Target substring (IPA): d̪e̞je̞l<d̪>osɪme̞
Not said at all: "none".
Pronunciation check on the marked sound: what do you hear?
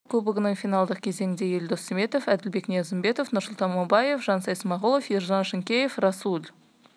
d̪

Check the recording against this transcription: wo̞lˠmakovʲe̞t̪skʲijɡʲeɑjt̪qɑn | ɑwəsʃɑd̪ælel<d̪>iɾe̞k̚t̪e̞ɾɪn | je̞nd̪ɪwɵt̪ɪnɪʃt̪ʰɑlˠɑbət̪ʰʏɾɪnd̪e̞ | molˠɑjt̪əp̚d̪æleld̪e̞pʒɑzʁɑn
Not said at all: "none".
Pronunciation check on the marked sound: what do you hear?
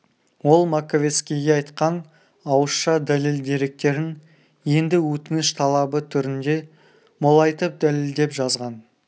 d̪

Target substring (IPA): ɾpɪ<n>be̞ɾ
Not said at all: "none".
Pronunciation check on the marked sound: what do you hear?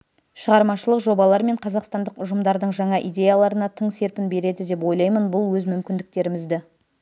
n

